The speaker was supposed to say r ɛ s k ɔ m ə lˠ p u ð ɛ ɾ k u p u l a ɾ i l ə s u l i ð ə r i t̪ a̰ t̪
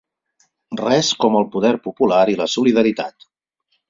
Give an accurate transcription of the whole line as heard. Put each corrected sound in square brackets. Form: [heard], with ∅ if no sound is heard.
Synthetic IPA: r ɛ s k ɔ m ə lˠ p u ð ɛ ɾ [p] u p u l a ɾ i l ə s u l i ð ə [ɾ] i t̪ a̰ t̪